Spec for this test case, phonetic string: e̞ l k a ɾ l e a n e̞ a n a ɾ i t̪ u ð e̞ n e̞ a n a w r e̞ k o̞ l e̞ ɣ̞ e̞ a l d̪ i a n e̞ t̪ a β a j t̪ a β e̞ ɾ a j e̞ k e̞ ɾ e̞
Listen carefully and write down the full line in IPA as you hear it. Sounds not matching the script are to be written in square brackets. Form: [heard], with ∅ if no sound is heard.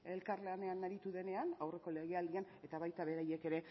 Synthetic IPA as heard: e̞ l k a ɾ l e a n e̞ a n a ɾ i t̪ u ð e̞ n e̞ a n a w r e̞ k o̞ l e̞ ɣ̞ e̞ a l d̪ i a n e̞ t̪ a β a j t̪ a β e̞ ɾ a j e̞ k e̞ ɾ e̞